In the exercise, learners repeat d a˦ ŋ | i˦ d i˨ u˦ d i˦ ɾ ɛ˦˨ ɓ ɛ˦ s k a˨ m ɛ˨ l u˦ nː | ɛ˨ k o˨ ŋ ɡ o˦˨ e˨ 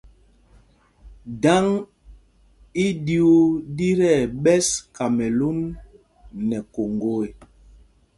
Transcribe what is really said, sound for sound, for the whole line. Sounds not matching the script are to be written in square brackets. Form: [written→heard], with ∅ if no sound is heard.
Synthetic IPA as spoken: d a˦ ŋ | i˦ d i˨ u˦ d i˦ ɾ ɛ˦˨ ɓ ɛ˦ s k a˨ m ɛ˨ l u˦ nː | ɛ˨ k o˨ ŋ ɡ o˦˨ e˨